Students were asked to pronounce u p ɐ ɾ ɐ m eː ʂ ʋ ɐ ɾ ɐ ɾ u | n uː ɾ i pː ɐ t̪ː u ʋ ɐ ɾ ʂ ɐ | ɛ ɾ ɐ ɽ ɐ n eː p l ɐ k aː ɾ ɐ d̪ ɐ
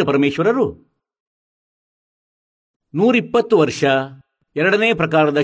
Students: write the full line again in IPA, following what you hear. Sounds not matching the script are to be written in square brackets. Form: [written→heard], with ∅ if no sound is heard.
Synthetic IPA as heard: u p ɐ ɾ ɐ m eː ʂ ʋ ɐ ɾ ɐ ɾ u | n uː ɾ i pː ɐ t̪ː u ʋ ɐ ɾ ʂ ɐ | ɛ ɾ ɐ ɽ ɐ n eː p [l→ɾ] ɐ k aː ɾ ɐ d̪ ɐ